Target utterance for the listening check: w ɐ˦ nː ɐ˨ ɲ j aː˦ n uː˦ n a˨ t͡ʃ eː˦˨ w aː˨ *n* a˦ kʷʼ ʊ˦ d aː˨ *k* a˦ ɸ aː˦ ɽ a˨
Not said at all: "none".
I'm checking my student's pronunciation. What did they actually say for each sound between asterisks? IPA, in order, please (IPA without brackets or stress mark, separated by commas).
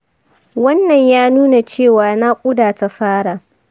n, t